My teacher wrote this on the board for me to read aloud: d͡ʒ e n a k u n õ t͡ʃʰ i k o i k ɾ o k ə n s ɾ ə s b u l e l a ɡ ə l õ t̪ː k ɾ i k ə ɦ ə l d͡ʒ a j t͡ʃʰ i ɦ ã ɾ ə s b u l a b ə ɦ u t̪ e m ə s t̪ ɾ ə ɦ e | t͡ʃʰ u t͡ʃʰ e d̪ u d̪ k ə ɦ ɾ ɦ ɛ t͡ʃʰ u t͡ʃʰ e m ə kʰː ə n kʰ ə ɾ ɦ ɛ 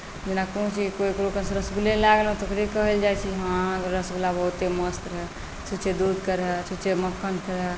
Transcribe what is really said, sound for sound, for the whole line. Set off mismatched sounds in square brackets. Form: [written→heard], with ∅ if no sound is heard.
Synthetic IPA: d͡ʒ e n a k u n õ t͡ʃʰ i k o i k ɾ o k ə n s ɾ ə s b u l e l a ɡ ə l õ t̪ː k ɾ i k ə ɦ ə l d͡ʒ a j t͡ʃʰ i ɦ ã ɾ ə s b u l a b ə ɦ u t̪ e m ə s t̪ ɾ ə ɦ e | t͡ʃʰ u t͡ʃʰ e d̪ u d̪ k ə [ɦ→∅] ɾ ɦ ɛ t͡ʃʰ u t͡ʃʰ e m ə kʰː ə n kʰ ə ɾ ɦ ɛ